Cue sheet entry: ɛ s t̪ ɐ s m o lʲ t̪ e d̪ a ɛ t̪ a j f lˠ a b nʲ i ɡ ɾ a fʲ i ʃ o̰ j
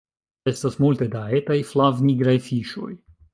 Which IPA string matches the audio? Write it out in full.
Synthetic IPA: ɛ s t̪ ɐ s m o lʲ t̪ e d̪ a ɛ t̪ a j f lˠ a v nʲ i ɡ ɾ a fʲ i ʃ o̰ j